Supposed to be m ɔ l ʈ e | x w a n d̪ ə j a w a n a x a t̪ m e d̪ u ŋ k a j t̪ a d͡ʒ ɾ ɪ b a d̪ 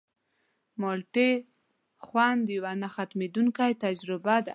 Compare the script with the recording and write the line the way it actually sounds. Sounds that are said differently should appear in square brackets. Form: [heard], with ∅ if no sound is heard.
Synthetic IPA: m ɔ l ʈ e | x w a n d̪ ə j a w a n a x a t̪ m e d̪ u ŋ k a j t̪ a d͡ʒ ɾ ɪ b a d̪